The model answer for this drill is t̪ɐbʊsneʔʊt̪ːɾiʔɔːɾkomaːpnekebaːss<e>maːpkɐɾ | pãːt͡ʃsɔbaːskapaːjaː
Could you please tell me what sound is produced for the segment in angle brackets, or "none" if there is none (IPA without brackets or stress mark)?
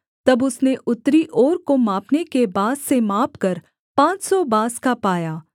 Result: e